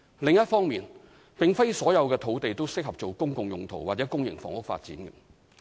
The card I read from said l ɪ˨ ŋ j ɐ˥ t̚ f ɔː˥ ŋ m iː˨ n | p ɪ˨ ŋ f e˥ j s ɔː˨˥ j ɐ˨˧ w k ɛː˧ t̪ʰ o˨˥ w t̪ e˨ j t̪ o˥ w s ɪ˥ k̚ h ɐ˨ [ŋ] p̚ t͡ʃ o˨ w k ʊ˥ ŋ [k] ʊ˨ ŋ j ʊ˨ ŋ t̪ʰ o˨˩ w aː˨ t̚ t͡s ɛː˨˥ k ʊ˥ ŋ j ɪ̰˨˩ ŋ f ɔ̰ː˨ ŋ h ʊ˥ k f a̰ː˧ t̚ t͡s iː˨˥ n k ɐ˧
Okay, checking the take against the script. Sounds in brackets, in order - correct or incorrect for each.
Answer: incorrect: none, correct

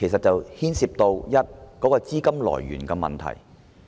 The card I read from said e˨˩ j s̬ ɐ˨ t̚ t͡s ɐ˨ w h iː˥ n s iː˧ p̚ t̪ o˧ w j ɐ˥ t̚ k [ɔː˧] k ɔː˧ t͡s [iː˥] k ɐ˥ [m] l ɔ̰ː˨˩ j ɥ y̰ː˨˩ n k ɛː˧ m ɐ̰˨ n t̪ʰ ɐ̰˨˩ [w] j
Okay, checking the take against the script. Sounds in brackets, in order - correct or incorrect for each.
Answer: incorrect: ɔː˨˥, correct, correct, incorrect: none

